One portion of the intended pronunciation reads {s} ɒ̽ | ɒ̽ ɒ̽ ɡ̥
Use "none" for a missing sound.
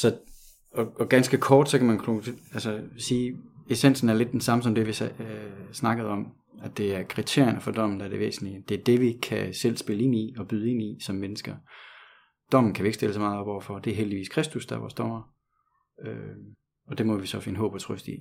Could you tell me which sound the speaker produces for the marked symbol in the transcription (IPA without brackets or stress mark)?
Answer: s